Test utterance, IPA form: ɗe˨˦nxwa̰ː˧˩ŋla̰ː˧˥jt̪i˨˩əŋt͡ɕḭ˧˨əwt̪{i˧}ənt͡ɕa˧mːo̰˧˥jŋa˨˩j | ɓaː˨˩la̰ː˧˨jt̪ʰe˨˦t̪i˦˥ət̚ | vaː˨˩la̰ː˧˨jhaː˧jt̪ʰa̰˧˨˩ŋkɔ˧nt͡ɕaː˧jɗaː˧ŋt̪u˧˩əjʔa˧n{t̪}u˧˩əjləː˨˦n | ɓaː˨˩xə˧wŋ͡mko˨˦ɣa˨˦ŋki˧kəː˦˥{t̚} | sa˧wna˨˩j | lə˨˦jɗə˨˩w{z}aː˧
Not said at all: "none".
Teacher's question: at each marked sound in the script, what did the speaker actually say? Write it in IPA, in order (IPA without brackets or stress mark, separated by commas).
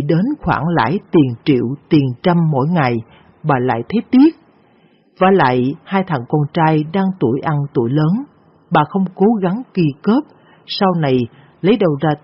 i˨˩, t̪, p̚, z